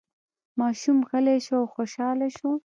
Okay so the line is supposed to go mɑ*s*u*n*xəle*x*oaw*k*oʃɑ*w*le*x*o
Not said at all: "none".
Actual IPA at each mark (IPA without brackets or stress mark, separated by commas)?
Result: ʃ, m, ʃ, x, none, ʃ